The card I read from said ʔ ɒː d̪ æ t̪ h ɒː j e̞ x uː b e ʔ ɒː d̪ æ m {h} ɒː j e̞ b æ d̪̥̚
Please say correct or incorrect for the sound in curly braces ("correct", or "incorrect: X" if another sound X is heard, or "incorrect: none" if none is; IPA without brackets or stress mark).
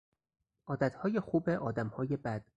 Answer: correct